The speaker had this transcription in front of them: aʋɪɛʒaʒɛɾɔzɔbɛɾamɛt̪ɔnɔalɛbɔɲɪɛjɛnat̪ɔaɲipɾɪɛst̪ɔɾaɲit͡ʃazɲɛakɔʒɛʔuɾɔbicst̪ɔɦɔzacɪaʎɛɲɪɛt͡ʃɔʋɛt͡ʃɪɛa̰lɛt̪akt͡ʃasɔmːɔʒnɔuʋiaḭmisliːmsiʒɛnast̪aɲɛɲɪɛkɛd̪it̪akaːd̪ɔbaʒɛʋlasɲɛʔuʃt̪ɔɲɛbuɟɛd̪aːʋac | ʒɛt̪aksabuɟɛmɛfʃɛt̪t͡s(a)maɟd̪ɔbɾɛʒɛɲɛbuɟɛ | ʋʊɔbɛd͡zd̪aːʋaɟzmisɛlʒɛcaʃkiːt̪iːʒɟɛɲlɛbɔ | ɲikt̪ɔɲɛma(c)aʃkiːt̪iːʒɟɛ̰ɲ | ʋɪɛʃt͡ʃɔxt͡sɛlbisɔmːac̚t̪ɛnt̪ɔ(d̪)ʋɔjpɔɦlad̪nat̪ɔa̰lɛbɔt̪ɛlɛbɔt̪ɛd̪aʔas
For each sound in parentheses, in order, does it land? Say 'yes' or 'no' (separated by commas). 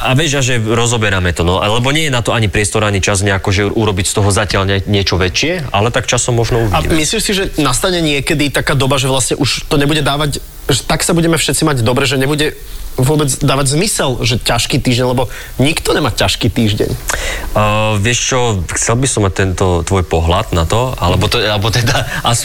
no, yes, no